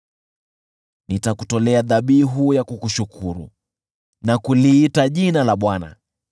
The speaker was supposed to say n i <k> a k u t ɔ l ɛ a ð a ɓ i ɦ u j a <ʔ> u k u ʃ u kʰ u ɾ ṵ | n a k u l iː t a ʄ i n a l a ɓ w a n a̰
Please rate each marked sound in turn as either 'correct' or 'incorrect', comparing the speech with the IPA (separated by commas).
incorrect, incorrect